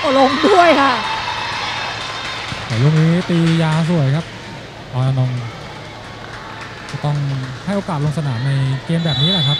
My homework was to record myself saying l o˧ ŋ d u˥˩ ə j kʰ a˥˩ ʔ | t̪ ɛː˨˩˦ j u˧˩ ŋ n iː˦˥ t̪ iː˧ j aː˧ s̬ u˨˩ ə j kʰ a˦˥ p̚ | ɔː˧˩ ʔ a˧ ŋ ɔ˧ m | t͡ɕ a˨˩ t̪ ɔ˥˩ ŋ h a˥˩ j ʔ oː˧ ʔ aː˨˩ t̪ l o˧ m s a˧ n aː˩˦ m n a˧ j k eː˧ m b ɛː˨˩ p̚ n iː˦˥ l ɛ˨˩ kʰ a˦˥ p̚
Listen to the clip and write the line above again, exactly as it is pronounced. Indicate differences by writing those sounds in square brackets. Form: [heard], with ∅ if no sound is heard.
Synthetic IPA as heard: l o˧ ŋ d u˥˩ ə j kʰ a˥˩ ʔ | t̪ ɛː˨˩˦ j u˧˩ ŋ n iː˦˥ t̪ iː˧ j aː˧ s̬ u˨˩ ə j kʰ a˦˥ p̚ | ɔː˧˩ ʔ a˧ [n] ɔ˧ [ŋ] | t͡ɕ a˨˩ t̪ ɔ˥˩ ŋ h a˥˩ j ʔ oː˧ [k] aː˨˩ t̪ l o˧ [ŋ] s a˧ n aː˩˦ m n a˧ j k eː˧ m b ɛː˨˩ p̚ n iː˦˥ l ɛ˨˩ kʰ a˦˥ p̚